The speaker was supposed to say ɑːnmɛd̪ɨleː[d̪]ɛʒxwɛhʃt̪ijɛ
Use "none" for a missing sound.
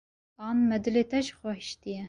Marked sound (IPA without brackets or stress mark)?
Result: t̪